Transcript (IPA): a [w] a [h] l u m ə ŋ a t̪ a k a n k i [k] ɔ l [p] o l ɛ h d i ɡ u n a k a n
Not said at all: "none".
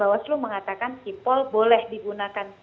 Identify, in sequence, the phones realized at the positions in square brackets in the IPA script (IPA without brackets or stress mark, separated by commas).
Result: w, s, p, b